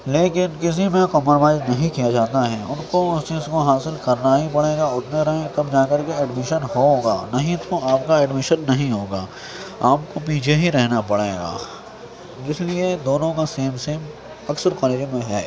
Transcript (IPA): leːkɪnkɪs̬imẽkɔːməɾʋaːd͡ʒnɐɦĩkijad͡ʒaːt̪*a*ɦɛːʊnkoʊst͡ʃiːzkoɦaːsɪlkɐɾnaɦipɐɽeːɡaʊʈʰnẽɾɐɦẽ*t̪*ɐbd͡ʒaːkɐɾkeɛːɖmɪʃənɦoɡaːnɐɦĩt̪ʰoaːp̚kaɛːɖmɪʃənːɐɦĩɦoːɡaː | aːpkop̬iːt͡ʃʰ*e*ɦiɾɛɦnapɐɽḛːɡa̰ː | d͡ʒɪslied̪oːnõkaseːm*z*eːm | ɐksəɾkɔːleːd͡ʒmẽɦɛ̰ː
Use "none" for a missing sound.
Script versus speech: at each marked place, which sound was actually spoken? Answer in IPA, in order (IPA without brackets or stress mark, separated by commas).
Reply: a, t̪, e, s